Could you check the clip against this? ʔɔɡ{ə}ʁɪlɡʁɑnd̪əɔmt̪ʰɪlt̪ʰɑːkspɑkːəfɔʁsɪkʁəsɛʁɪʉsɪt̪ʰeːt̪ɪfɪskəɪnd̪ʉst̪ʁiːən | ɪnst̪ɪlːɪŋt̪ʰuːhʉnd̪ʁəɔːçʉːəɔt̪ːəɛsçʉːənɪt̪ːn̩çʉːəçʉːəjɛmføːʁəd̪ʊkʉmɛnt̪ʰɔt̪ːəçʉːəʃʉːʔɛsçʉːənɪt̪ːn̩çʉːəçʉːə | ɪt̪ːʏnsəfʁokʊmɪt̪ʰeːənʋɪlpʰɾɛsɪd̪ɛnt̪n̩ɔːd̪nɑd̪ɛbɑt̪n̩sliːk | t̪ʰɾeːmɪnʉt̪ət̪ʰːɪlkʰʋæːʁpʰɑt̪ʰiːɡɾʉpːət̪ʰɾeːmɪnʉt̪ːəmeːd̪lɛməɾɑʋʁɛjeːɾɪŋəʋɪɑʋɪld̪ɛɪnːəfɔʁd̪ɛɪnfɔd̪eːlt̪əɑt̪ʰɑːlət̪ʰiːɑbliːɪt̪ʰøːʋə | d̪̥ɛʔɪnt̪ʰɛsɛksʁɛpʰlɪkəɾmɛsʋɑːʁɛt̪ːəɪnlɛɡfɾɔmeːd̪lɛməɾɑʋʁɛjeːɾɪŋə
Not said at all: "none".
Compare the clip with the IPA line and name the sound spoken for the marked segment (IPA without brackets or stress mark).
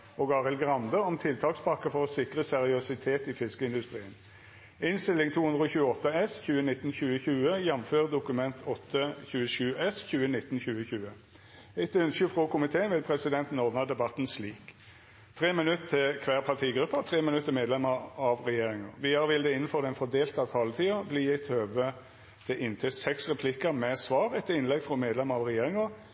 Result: ɑ